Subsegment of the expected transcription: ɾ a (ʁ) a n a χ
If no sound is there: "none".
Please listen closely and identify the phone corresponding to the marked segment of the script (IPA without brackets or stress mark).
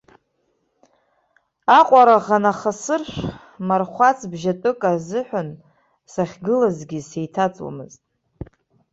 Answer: ʁ